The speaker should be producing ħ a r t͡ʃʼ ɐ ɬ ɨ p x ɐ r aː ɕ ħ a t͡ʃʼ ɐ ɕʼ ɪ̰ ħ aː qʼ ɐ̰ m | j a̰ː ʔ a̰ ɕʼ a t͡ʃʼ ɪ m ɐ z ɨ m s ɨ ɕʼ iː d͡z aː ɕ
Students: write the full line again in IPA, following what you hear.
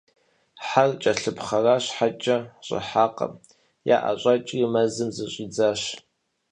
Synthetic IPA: ħ a r t͡ʃʼ ɐ ɬ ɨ p χ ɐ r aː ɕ ħ a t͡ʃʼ ɐ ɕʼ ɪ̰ ħ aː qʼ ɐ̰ m | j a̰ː ʔ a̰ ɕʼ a t͡ʃʼ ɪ m ɐ z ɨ m z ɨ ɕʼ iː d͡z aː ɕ

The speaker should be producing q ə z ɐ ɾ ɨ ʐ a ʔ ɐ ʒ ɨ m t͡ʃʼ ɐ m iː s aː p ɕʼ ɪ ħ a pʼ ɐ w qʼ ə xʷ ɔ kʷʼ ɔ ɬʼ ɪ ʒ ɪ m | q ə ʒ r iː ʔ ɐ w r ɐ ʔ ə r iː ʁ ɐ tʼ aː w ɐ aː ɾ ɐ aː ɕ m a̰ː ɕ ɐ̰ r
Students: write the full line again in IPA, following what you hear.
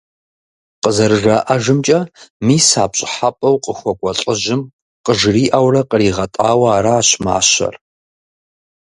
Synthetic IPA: q ə z ɐ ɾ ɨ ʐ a ʔ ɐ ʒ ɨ m t͡ʃʼ ɐ m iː s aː p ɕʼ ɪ ħ a pʼ ɐ w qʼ ə xʷ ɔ kʷʼ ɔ ɬʼ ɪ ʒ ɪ m | q ə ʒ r iː ʔ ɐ w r ɐ q ə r iː ʁ ɐ tʼ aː w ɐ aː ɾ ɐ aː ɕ m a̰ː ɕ ɐ̰ r

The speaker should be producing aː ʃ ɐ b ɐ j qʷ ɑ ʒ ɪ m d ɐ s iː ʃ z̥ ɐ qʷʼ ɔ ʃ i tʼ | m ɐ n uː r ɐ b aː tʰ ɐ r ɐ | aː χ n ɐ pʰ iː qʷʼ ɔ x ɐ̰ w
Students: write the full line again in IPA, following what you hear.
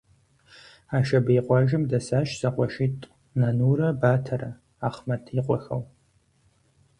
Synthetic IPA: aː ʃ ɐ b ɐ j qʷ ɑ ʒ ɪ m d ɐ s aː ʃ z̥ ɐ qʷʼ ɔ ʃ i tʼ | n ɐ n uː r ɐ b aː tʰ ɐ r ɐ | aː χ m ɐ tʰ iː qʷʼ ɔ x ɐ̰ w

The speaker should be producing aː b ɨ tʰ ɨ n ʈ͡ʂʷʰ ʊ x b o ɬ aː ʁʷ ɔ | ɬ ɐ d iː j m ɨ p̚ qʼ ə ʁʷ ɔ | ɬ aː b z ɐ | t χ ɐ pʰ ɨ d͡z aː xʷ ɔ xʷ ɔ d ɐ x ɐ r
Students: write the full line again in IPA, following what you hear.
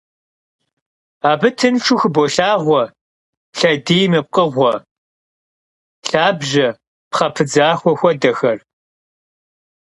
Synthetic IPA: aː b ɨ tʰ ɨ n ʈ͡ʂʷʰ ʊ x b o ɬ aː ʁʷ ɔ | ɬ ɐ d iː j m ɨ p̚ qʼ ə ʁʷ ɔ | ɬ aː b ʒ ɐ | p χ ɐ pʰ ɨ d͡z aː xʷ ɔ xʷ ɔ d ɐ x ɐ r

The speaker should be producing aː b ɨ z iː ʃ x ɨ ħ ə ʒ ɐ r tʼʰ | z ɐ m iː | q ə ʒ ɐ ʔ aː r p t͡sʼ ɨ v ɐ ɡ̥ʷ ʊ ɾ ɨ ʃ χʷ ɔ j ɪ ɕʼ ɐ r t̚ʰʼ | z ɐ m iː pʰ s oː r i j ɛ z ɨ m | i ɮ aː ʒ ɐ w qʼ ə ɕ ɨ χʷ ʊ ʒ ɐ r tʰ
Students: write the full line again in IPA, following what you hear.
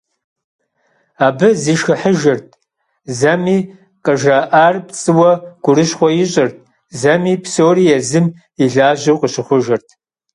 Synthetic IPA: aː b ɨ z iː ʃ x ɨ ħ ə ʒ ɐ r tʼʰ | z ɐ m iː | q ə ʒ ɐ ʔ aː r p t͡sʼ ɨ w ɐ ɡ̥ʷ ʊ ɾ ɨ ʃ χʷ ɔ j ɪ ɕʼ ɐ r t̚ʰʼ | z ɐ m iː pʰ s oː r i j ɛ z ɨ m | i ɮ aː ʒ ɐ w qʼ ə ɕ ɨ χʷ ʊ ʒ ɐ r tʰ

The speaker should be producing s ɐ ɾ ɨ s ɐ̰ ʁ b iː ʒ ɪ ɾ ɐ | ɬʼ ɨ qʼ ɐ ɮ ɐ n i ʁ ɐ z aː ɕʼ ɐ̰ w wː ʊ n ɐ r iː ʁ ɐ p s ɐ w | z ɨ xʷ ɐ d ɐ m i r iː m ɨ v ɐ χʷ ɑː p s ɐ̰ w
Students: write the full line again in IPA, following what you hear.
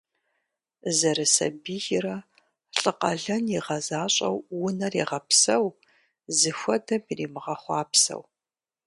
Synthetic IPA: z ɐ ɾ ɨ s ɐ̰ b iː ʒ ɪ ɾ ɐ | ɬʼ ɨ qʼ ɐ ɮ ɐ n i ʁ ɐ z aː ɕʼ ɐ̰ w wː ʊ n ɐ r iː ʁ ɐ p s ɐ w | z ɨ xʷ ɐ d ɐ m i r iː m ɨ ʁ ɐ χʷ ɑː p s ɐ̰ w

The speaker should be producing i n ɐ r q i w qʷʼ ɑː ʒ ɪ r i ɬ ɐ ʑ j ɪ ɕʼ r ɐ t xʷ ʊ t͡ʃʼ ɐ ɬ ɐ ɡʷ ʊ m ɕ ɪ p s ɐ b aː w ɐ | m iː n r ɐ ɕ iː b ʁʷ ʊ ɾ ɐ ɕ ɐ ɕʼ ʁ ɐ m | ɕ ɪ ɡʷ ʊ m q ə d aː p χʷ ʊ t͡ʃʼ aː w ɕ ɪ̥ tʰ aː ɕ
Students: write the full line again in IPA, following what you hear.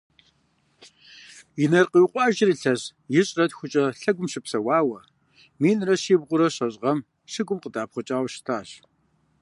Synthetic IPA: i n ɐ r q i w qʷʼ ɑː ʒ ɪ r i ɬ ɐ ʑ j ɪ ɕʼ r ɐ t xʷ ʊ t͡ʃʼ ɐ ɬ ɐ ɡʷ ʊ m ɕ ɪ p s ɐ w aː w ɐ | m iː n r ɐ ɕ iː b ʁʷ ʊ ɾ ɐ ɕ ɐ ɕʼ ʁ ɐ m | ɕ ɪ ɡʷ ʊ m q ə d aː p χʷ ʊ t͡ʃʼ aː w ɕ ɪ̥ tʰ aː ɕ

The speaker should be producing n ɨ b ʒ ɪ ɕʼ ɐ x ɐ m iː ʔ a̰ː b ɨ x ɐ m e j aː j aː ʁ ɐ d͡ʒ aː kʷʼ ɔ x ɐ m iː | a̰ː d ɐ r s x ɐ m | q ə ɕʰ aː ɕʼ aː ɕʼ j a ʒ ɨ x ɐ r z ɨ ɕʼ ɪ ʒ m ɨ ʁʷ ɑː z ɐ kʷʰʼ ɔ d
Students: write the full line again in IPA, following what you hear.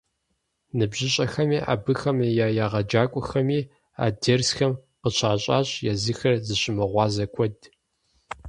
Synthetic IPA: n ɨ b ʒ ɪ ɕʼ ɐ x ɐ m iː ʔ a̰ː b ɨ x ɐ m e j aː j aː ʁ ɐ d͡ʒ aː kʷʼ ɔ x ɐ m iː | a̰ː d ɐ r s x ɐ m | q ə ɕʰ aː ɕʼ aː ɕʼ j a z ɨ x ɐ r z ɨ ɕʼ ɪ m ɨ ʁʷ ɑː z ɐ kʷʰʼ ɔ d

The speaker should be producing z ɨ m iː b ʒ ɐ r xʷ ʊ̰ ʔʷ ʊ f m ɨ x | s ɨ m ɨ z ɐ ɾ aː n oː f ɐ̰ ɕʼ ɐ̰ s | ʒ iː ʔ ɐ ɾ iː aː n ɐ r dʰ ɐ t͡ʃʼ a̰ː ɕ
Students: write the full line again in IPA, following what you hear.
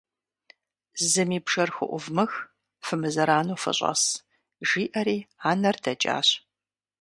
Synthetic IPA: z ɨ m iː b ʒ ɐ r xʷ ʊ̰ ʔʷ ʊ v m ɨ x | f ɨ m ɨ z ɐ ɾ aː n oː f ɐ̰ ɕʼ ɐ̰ s | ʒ iː ʔ ɐ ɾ iː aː n ɐ r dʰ ɐ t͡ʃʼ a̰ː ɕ

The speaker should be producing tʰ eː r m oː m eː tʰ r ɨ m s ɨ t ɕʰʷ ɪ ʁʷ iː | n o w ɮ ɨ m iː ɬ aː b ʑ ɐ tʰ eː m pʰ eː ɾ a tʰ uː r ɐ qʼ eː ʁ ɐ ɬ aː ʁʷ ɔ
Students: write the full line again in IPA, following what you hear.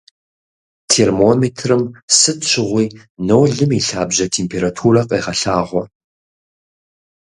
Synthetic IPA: tʰ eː r m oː m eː tʰ r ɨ m s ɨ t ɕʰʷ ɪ ʁʷ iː | n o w ɮ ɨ m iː ɬ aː b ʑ ɐ tʰ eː m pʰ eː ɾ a tʰ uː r ɐ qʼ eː ʁ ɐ ɬ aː ʁʷ ɔ

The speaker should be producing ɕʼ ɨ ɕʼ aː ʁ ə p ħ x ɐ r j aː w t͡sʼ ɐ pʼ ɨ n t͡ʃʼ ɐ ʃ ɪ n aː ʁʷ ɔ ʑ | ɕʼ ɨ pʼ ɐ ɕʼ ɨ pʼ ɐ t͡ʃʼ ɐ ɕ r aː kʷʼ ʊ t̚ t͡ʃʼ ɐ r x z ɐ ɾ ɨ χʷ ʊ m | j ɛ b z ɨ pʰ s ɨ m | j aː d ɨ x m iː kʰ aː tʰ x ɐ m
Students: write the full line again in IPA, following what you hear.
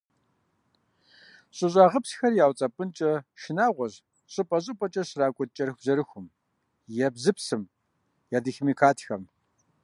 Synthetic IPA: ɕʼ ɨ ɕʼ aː ʁ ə p s x ɐ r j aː w t͡sʼ ɐ pʼ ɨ n t͡ʃʼ ɐ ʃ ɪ n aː ʁʷ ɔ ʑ | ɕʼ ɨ pʼ ɐ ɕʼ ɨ pʼ ɐ t͡ʃʼ ɐ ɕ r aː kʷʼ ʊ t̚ t͡ʃʼ ɐ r x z ɐ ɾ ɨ xʷ ʊ m | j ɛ b z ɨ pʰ s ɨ m | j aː d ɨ x m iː kʰ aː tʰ x ɐ m

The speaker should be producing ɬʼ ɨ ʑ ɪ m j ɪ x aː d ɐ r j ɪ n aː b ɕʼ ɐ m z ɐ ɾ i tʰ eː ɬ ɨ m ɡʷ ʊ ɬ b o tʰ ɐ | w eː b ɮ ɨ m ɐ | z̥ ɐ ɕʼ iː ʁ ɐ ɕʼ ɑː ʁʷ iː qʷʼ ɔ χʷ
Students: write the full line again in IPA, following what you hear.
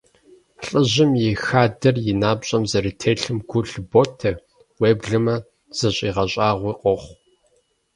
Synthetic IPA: ɬʼ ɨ ʑ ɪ m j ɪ x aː d ɐ r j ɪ n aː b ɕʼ ɐ m z ɐ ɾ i tʰ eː ɬ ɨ m ɡʷ ʊ ɬ b o tʰ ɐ | w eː b ɮ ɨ m ɐ | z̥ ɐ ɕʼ iː ʁ ɐ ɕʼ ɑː ʁʷ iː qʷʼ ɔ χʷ

